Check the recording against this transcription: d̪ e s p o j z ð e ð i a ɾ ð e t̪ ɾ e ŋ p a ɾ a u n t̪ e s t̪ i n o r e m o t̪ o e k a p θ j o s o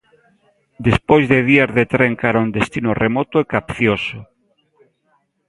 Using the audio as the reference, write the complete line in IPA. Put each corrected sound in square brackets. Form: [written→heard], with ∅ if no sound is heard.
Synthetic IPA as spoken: d̪ e s p o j z ð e ð i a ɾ ð e t̪ ɾ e ŋ [p→k] a ɾ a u n [t̪→d̪] e s t̪ i n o r e m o t̪ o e k a p θ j o s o

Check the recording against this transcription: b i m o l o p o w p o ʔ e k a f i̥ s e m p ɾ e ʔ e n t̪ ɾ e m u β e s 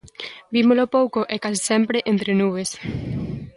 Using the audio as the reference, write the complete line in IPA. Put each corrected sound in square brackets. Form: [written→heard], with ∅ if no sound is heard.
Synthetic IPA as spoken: b i m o l o p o w [p→k] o ʔ e k a [f→s] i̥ s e m p ɾ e ʔ e n t̪ ɾ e [m→n] u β e s

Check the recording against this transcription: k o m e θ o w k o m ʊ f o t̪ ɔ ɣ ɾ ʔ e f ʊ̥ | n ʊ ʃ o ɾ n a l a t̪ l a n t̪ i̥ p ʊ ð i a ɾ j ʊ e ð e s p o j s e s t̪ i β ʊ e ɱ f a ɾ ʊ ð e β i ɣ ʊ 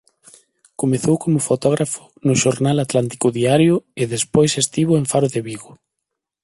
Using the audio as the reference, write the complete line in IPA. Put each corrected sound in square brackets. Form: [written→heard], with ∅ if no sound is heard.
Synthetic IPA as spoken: k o m e θ o w k o m ʊ f o t̪ ɔ ɣ ɾ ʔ [e→a] f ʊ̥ | n ʊ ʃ o ɾ n a l a t̪ l a n t̪ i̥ [p→k] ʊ ð i a ɾ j ʊ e ð e s p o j s e s t̪ i β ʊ e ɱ f a ɾ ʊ ð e β i ɣ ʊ

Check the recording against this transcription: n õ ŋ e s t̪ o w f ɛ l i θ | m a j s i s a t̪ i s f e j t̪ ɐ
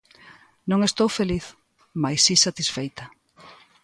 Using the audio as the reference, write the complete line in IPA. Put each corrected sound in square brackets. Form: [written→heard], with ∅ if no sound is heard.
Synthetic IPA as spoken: n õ ŋ e s t̪ o w f [ɛ→e] l i θ | m a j s i s a t̪ i s f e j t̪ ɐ

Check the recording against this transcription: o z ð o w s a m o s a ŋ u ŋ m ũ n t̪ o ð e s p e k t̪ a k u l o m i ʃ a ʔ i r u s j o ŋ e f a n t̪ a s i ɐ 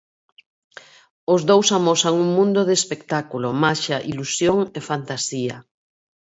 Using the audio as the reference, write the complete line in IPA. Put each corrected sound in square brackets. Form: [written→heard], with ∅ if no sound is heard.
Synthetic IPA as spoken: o z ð o w s a m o s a ŋ u ŋ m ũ n [t̪→d̪] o ð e s p e k t̪ a k u l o m [i→a] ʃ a ʔ i [r→l] u s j o ŋ e f a n t̪ a s i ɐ

